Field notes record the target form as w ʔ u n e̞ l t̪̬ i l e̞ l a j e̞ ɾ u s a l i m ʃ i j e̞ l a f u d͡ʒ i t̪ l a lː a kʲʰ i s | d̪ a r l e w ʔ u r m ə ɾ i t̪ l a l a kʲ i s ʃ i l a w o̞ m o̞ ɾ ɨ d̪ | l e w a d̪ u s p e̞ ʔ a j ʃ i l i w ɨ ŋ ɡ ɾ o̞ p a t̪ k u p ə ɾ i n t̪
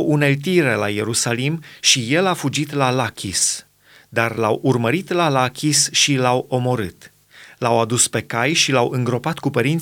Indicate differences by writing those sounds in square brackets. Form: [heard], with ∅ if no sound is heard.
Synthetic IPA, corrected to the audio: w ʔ u n e̞ l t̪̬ i [ɾ] e̞ l a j e̞ ɾ u s a l i m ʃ i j e̞ l a f u d͡ʒ i t̪ l a [l] a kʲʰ i s | d̪ a r l [a] w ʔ u r m ə ɾ i t̪ l a l a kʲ i s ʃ i l a w o̞ m o̞ ɾ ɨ [t̪] | l [a] w a d̪ u s p e̞ [k] a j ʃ i l [a] w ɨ ŋ ɡ ɾ o̞ p a t̪ k u p ə ɾ i n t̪